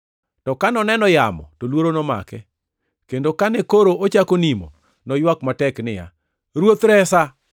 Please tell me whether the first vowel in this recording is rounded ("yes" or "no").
yes